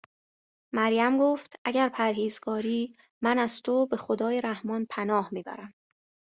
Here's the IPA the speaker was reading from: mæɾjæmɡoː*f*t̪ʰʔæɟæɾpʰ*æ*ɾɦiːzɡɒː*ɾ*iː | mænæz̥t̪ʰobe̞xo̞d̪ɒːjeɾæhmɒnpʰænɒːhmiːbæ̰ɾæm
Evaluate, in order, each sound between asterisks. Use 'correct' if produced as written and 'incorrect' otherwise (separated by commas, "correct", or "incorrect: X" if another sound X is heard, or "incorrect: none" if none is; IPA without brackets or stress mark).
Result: correct, correct, correct